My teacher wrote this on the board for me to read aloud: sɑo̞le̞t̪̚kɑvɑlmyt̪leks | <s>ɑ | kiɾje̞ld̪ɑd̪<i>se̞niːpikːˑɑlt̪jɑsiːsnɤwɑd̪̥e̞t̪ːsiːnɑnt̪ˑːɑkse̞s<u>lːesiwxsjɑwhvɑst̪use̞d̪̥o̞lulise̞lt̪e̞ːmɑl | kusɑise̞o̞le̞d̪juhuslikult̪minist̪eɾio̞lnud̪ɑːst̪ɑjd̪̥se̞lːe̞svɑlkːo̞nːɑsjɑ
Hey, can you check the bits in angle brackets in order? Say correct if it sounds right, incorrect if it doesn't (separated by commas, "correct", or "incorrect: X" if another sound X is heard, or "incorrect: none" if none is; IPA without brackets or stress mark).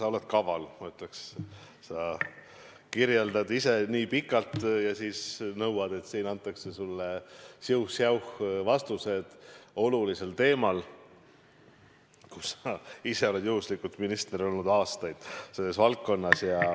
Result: correct, correct, correct